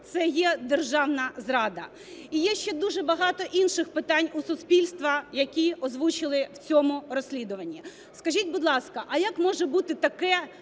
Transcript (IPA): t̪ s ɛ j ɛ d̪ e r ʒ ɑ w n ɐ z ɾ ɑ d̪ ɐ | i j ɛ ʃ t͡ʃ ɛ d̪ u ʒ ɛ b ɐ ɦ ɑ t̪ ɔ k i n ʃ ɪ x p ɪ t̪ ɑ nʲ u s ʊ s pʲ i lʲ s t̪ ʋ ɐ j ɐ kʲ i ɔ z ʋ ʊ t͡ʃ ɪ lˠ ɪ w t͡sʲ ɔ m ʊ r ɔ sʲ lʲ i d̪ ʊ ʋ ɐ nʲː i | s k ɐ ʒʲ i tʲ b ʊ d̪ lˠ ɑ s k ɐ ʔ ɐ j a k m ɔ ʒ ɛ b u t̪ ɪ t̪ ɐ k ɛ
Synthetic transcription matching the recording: t̪ s ɛ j ɛ d̪ e r ʒ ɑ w n ɐ z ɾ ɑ d̪ ɐ | i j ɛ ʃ t͡ʃ ɛ d̪ u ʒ ɛ b ɐ ɦ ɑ t̪ ɔ ʔ i n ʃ ɪ x p ɪ t̪ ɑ nʲ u s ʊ s pʲ i lʲ s t̪ ʋ ɐ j ɐ kʲ i ɔ z ʋ u t͡ʃ ɪ lˠ ɪ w t͡sʲ ɔ m ʊ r ɔ sʲ lʲ i d̪ ʊ ʋ ɐ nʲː i | s k ɐ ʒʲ i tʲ b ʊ d̪ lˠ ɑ s k ɐ ʔ ɐ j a k m ɔ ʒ ɛ b u t̪ ɪ t̪ ɐ k ɛ